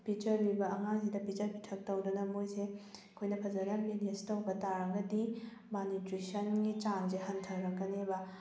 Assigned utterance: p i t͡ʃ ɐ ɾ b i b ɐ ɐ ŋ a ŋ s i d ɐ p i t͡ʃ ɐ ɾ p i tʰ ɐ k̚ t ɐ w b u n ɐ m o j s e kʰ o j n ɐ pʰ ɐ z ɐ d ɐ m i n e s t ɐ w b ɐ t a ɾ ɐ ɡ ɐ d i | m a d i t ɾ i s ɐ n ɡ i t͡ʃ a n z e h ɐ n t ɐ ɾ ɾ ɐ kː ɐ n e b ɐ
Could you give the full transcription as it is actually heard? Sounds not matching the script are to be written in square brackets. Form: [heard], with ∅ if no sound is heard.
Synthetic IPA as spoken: p i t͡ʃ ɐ ɾ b i b ɐ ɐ ŋ a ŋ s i d ɐ p i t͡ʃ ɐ ɾ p i tʰ ɐ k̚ t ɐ w [d] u n ɐ m o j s e kʰ o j n ɐ pʰ ɐ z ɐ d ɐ m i n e s t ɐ w b ɐ t a ɾ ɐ ɡ ɐ d i | m a [n] i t ɾ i s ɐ n ɡ i t͡ʃ a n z e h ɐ n [tʰ] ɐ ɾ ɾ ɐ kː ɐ n e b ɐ